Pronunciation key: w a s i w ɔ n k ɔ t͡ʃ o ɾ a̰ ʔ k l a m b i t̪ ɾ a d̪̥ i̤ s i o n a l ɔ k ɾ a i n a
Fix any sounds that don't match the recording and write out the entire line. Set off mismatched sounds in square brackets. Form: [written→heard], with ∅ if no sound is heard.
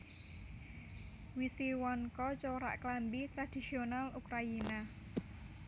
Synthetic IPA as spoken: w [a→i] s i w ɔ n k ɔ t͡ʃ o ɾ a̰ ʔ k l a m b i t̪ ɾ a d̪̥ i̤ s i o n a l [ɔ→u] k ɾ a i n a